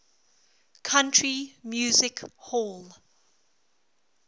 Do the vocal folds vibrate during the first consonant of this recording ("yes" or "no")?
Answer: no